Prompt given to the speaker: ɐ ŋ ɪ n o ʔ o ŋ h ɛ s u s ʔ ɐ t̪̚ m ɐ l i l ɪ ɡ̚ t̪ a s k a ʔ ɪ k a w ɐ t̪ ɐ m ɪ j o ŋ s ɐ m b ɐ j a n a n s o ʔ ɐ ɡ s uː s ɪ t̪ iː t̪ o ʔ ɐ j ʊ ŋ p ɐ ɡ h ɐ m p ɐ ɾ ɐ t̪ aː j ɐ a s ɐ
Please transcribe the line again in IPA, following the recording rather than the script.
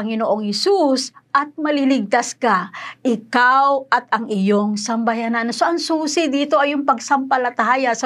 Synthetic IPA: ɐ ŋ ɪ n o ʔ o ŋ h ɛ s u s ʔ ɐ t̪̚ m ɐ l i l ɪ ɡ̚ t̪ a s k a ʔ ɪ k a w ɐ t̪ ɐ ŋ ɪ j o ŋ s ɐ m b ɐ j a n a n s o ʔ ɐ ŋ s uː s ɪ d̪ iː t̪ o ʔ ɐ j ʊ ŋ p ɐ ɡ s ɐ m p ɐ l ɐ t̪ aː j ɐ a s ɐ